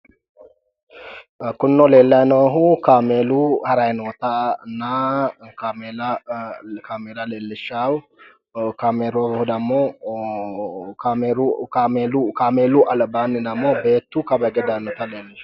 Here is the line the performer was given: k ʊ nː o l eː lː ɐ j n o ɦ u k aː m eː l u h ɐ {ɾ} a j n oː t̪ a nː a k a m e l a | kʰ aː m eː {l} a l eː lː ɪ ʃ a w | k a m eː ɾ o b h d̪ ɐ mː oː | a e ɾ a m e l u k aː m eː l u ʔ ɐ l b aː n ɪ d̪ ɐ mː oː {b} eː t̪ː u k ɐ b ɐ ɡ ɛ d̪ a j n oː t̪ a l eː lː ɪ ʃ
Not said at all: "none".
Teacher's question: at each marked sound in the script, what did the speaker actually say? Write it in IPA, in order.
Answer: ɾ, l, b

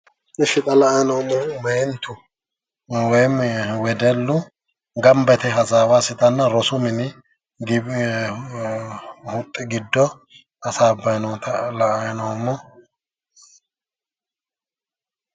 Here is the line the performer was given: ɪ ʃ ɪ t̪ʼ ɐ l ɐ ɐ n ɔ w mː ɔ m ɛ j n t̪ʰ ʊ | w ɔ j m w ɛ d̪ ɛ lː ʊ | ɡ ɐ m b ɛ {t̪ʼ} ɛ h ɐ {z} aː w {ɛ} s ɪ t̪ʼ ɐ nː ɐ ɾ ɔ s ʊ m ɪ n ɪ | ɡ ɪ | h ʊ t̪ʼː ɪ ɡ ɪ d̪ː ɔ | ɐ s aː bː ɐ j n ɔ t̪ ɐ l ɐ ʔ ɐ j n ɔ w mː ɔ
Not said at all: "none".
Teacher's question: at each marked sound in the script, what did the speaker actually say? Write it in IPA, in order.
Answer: t̪, z, a

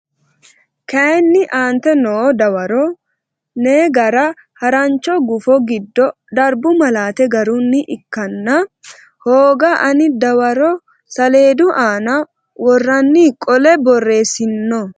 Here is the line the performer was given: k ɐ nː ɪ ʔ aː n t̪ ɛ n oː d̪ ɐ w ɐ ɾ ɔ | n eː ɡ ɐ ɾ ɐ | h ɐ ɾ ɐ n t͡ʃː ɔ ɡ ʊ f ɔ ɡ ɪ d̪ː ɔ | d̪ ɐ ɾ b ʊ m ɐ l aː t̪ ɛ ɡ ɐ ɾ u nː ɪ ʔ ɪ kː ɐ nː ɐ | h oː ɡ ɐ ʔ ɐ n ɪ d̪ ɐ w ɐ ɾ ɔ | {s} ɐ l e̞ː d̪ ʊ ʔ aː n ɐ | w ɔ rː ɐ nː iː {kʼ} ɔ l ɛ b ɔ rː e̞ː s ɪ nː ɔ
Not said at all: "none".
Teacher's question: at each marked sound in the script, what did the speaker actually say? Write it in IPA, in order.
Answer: s, kʼ

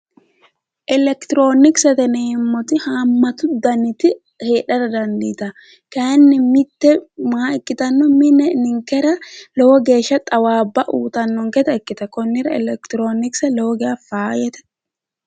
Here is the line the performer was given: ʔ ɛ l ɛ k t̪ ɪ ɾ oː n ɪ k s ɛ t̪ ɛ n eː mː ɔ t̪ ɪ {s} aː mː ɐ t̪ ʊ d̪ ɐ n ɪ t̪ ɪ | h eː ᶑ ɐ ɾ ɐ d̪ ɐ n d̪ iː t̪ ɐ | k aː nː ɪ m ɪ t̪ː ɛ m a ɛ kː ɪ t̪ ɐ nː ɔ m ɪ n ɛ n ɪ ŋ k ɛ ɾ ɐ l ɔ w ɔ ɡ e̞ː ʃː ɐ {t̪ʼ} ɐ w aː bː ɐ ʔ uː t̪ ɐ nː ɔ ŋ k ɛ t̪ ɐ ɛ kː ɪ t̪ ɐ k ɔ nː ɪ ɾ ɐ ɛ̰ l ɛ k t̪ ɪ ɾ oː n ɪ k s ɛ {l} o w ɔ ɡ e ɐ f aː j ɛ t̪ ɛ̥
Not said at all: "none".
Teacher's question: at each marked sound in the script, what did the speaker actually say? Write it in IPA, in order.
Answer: h, t̪ʼ, l

